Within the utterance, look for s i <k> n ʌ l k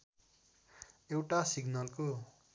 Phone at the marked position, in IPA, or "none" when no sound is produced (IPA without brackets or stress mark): ɡ